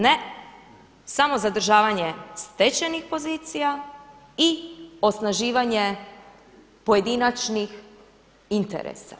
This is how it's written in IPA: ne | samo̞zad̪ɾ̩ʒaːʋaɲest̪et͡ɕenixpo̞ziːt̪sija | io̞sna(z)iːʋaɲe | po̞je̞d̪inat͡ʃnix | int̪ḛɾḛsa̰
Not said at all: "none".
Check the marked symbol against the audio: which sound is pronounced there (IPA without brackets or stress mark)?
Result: ʒ